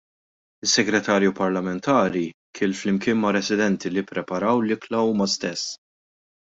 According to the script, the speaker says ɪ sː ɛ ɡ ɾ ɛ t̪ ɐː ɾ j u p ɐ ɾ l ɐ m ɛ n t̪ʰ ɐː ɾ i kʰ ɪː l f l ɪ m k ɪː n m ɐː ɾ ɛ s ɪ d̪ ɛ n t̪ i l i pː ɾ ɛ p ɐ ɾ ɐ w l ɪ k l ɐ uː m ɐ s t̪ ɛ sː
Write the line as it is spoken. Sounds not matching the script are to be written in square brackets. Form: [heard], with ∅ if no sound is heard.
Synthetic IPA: ɪ sː ɛ ɡ ɾ ɛ t̪ ɐː ɾ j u p ɐ ɾ l ɐ m ɛ n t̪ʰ ɐː ɾ i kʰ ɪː l f l ɪ m k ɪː n m [ɐ] ɾ ɛ s ɪ d̪ ɛ n t̪ i l i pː ɾ ɛ p ɐ ɾ ɐ w l ɪ k l ɐ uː m ɐ s t̪ ɛ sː